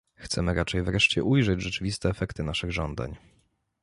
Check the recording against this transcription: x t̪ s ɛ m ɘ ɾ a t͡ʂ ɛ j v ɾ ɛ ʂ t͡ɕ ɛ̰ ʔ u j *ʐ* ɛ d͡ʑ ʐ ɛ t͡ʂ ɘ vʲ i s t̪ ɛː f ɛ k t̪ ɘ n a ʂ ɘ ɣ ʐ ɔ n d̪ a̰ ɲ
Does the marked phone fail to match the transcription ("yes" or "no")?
no